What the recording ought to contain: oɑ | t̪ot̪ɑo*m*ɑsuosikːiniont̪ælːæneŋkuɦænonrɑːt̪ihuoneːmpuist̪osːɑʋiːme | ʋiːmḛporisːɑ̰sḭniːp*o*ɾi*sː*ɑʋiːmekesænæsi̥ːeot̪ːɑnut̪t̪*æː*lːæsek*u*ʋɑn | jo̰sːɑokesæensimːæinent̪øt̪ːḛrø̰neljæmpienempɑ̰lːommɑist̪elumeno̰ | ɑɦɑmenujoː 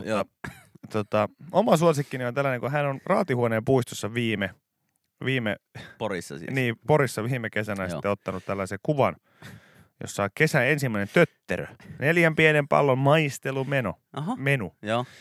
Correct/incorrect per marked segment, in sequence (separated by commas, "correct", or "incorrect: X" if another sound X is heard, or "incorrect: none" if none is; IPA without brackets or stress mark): correct, correct, correct, incorrect: æ, correct